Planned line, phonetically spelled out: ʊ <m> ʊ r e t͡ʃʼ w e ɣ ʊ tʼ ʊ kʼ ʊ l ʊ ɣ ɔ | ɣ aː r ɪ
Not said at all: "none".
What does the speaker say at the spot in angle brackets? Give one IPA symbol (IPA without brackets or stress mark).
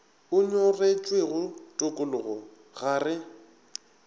ɲ